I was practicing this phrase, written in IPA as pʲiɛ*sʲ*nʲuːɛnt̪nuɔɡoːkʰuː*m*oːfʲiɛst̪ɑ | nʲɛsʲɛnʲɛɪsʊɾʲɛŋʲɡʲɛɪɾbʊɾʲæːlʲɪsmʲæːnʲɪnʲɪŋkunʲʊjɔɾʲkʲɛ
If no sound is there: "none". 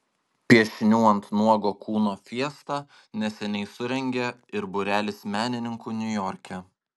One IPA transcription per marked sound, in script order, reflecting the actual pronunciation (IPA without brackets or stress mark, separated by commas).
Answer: ʃʲ, n